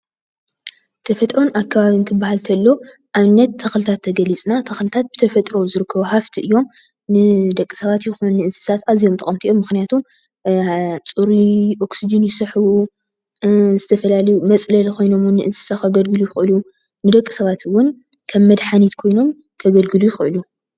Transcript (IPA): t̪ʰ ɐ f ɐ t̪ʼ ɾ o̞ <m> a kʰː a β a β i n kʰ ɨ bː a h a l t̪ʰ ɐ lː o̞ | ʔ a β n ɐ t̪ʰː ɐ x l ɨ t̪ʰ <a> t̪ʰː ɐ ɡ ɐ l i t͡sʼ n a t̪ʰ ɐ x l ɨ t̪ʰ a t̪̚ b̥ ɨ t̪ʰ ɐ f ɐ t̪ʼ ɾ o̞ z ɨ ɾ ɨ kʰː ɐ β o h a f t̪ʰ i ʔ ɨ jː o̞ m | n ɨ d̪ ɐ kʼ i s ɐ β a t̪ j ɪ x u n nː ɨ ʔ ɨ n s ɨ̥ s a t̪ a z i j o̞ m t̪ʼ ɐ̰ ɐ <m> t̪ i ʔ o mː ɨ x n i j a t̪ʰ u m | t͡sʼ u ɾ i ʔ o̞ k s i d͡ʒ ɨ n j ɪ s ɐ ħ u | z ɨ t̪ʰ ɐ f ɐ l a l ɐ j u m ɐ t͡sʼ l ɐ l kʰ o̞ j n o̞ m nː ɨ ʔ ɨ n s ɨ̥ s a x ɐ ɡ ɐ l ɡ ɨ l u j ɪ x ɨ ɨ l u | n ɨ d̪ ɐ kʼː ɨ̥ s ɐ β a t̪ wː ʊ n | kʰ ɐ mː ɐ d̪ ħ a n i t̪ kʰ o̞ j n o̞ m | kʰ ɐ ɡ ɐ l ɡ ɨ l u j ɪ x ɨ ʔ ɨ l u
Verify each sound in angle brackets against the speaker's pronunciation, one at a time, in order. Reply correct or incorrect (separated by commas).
incorrect, correct, correct